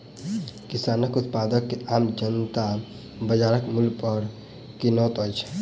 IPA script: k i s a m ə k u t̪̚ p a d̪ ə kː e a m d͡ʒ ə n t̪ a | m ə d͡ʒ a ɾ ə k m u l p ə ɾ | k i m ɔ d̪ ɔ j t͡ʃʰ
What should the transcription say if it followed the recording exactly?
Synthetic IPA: k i s a n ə k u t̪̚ p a d̪ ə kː e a m d͡ʒ ə n t̪ a | b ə d͡ʒ a ɾ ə k m u l p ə ɾ | k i n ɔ t̪ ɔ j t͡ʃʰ